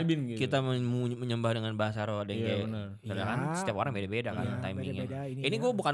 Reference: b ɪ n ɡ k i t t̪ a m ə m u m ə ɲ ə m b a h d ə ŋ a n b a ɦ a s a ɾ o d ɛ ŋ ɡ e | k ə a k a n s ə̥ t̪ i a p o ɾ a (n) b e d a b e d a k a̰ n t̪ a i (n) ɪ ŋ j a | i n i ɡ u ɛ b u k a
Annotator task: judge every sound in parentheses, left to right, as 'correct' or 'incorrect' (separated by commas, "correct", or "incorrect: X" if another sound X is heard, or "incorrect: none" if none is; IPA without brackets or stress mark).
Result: incorrect: ŋ, incorrect: m